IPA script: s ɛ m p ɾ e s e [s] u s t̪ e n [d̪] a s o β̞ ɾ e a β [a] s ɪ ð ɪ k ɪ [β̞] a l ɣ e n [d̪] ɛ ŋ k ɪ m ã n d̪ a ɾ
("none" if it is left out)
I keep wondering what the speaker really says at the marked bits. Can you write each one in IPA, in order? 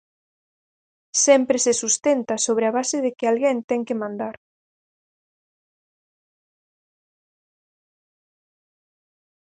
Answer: s, t̪, a, none, t̪

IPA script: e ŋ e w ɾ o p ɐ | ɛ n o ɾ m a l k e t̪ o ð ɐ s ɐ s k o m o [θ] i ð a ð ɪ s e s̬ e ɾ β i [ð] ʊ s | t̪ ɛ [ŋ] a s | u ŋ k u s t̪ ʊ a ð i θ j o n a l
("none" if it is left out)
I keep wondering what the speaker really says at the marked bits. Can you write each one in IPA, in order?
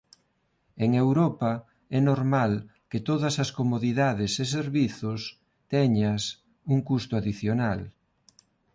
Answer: ð, θ, ɲ

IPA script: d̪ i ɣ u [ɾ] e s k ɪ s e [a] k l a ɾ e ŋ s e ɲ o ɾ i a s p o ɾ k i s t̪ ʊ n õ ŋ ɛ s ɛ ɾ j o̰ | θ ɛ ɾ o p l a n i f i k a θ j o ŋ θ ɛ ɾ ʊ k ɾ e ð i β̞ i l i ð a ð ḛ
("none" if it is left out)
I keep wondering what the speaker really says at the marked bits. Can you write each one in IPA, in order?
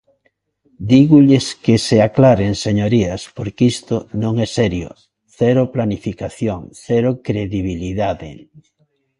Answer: ʎ, a

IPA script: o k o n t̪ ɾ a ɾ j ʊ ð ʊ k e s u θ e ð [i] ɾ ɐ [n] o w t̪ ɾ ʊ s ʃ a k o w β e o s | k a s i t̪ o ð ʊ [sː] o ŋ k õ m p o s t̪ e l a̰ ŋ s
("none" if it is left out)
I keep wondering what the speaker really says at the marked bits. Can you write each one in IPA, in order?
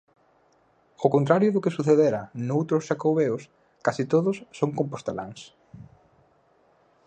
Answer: e, n, sː

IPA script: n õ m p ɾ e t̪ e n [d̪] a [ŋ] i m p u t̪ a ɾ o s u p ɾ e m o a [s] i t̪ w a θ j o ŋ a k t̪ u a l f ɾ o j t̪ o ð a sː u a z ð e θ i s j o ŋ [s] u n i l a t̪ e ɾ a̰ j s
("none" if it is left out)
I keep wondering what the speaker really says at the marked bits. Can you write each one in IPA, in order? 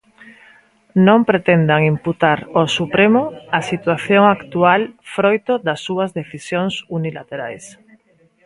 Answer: d̪, ŋ, s, s

